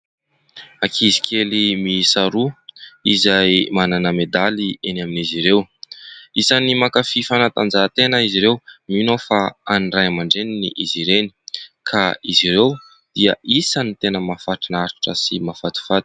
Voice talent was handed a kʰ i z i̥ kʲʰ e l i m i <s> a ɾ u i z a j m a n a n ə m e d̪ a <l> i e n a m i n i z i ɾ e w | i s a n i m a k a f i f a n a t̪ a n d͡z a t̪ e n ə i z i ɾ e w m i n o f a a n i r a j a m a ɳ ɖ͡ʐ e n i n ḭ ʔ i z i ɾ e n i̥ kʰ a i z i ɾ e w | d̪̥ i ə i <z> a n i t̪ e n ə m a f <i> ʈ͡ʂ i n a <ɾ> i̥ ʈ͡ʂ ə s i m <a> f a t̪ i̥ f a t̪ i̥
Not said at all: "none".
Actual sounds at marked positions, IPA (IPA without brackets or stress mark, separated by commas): s, l, s, a, ɾ, a